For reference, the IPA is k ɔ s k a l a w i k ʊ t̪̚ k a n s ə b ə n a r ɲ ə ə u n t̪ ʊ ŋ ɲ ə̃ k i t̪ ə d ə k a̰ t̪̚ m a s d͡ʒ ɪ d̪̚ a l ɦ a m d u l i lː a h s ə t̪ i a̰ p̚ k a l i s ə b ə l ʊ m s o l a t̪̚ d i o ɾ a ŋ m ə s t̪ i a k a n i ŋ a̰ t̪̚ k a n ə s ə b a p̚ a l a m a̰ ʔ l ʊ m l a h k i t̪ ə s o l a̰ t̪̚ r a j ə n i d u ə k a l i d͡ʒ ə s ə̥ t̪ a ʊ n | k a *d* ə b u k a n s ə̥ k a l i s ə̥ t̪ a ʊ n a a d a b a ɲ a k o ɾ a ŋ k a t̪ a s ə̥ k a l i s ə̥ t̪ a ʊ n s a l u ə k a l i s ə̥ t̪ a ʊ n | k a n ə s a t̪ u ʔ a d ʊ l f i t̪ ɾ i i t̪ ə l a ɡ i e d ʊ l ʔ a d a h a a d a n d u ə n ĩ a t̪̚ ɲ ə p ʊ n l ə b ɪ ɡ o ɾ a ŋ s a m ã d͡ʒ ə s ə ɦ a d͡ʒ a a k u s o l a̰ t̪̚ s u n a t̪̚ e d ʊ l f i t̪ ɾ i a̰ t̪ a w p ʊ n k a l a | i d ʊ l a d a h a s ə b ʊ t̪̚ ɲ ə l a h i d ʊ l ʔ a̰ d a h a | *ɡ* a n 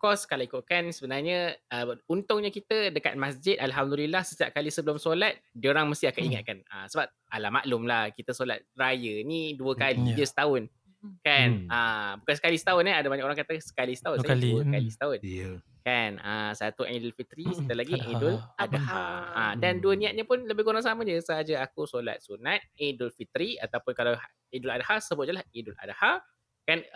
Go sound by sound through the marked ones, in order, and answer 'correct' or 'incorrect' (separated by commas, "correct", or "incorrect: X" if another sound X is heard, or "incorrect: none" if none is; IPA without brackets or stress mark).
incorrect: n, incorrect: k